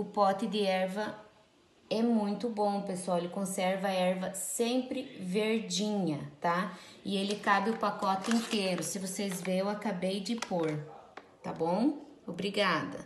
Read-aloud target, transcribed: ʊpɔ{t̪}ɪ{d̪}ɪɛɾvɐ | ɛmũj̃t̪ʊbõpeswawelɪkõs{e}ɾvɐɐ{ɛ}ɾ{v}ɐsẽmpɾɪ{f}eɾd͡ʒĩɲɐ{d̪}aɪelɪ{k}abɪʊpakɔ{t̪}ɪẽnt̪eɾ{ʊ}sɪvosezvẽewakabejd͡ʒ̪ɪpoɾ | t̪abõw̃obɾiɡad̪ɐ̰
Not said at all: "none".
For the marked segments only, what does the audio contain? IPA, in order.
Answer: t̪, d̪, ɛ, ɛ, v, v, t̪, k, t̪, ʊ

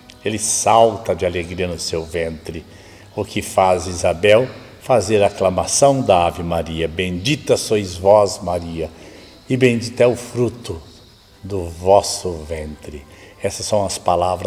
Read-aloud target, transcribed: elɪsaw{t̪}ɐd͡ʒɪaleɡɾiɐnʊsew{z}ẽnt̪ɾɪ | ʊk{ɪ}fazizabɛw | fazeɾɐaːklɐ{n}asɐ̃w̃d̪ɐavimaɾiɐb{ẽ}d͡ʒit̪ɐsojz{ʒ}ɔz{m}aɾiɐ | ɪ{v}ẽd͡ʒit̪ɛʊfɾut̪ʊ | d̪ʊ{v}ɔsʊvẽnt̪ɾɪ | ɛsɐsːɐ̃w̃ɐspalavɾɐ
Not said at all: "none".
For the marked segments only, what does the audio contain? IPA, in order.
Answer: t̪, v, ɪ, m, ẽ, v, m, b, v

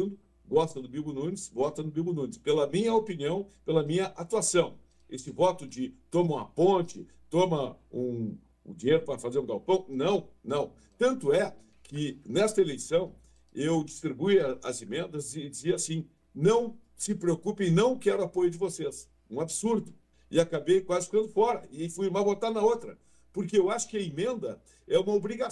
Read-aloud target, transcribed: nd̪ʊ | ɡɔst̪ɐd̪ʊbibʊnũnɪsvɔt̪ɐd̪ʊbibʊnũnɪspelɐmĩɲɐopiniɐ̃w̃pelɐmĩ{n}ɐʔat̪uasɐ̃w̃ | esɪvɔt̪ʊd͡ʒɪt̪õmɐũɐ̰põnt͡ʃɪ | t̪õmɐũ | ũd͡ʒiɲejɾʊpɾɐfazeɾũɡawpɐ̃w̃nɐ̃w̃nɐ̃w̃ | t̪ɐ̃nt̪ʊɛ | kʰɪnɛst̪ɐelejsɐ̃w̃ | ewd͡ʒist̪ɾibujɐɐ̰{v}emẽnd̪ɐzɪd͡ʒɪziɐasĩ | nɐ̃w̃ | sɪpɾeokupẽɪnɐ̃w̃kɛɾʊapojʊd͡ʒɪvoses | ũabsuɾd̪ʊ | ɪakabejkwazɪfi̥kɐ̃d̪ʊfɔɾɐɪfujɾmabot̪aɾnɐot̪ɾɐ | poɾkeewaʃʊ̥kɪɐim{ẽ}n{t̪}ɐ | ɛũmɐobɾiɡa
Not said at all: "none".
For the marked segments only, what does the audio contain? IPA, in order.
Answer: ɲ, z, ẽ, d̪

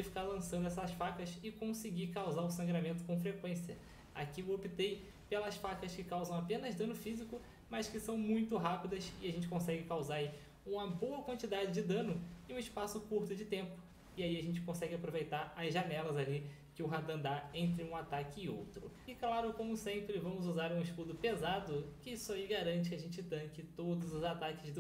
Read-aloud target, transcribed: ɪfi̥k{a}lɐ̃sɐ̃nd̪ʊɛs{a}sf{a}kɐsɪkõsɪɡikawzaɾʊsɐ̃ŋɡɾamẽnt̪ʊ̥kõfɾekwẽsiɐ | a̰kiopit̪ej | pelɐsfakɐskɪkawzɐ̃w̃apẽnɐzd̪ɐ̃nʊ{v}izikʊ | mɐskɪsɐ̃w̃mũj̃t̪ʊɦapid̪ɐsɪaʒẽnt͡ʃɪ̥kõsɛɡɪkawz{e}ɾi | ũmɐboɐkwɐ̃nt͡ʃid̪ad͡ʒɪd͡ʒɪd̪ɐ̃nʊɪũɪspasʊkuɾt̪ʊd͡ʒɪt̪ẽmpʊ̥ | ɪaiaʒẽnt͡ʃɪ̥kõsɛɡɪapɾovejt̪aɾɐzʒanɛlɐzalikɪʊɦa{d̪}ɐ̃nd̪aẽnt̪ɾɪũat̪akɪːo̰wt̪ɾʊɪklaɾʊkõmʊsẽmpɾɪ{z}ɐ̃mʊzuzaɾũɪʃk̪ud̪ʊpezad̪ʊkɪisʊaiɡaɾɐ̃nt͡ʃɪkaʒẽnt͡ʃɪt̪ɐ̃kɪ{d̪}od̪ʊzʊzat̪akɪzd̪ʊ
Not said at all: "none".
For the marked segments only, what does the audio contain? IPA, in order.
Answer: a, ɐ, a, f, a, d̪, v, t̪

